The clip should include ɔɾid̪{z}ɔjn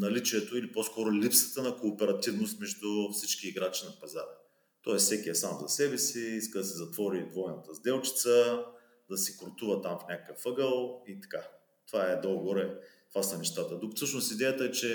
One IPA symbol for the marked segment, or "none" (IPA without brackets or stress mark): v